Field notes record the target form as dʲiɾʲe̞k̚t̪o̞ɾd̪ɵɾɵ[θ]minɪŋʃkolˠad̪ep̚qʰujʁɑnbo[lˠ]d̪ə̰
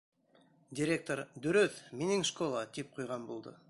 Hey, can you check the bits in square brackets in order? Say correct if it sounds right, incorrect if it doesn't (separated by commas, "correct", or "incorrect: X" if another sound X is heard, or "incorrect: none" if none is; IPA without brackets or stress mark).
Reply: correct, correct